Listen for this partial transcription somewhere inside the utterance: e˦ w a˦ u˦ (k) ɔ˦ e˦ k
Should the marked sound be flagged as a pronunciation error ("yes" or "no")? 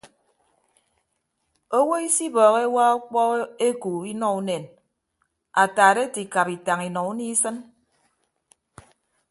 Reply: yes